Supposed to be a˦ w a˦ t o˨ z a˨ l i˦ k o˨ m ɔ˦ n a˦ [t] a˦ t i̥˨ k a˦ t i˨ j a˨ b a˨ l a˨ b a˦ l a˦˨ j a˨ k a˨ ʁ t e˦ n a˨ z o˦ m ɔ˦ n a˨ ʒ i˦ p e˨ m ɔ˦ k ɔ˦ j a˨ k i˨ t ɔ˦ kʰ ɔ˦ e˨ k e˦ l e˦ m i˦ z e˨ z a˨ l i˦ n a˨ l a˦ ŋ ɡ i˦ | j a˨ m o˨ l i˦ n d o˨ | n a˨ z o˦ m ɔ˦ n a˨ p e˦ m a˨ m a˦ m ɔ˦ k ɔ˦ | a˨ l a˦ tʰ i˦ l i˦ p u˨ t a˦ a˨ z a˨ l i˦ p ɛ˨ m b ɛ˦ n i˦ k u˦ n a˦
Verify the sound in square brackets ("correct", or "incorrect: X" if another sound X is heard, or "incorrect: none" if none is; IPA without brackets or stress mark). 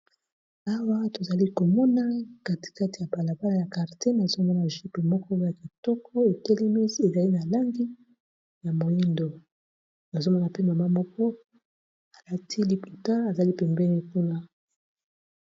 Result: incorrect: k